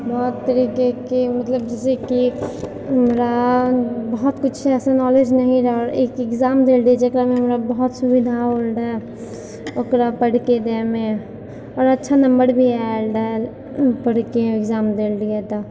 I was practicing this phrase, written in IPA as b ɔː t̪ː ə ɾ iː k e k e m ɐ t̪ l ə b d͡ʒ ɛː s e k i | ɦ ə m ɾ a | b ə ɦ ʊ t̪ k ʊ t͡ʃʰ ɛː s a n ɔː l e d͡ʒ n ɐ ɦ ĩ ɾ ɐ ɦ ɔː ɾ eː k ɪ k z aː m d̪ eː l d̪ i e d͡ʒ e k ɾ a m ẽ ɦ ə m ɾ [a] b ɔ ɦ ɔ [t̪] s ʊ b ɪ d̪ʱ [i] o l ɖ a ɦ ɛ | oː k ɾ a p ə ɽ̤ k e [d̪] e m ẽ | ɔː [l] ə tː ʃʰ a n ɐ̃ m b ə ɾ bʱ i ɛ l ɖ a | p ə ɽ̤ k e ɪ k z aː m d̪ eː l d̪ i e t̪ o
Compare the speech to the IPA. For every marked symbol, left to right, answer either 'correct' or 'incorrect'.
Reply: correct, correct, incorrect, correct, incorrect

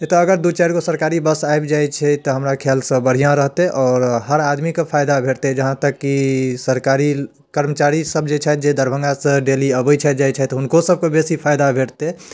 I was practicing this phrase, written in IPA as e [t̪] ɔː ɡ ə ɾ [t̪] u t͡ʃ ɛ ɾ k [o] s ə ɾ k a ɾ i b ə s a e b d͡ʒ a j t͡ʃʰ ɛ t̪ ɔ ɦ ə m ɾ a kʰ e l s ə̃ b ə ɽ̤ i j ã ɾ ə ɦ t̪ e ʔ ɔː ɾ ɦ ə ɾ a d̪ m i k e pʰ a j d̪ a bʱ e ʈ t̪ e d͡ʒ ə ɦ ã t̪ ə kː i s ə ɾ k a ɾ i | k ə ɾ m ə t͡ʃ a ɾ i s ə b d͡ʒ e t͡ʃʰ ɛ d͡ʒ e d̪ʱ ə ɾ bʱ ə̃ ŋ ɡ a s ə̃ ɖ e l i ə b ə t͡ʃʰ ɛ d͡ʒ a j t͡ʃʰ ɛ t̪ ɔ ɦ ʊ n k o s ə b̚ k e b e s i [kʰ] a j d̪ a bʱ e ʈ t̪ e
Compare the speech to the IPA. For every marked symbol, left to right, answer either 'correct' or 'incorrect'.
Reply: correct, incorrect, correct, incorrect

